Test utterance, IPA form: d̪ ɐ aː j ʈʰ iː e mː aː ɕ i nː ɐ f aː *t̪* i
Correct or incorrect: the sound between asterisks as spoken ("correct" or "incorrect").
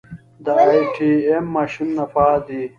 incorrect